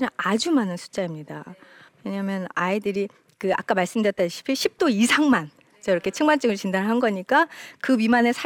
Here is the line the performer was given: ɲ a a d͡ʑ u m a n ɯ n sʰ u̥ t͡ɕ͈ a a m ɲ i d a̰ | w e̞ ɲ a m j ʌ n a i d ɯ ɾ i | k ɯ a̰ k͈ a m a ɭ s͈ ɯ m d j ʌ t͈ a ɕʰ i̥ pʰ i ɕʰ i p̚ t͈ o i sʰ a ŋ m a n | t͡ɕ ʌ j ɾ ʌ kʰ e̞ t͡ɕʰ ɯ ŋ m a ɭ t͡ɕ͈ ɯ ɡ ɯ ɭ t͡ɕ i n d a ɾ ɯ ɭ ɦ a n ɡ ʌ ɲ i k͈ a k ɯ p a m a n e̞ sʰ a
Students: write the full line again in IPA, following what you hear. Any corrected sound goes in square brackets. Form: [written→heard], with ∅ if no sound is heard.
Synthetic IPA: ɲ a a d͡ʑ u m a n ɯ n sʰ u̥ t͡ɕ͈ a [a→i] m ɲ i d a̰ | w e̞ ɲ a m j ʌ n a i d ɯ ɾ i | k ɯ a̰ k͈ a m a ɭ s͈ ɯ m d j ʌ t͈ a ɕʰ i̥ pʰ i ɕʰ i p̚ t͈ o i sʰ a ŋ m a n | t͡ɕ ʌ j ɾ ʌ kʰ e̞ t͡ɕʰ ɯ ŋ m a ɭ t͡ɕ͈ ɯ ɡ ɯ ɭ t͡ɕ i n d a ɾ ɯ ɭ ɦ a n ɡ ʌ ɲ i k͈ a k ɯ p [a→i] m a n e̞ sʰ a